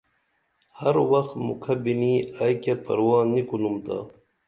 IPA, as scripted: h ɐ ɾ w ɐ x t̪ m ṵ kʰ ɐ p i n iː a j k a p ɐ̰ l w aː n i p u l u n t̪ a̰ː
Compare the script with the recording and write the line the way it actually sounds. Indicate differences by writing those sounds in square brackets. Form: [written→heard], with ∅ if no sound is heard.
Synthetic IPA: h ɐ ɾ w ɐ x t̪ m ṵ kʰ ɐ [p→b] i n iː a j k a p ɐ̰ [l→ɾ] w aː n i [p→k] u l u [n→m] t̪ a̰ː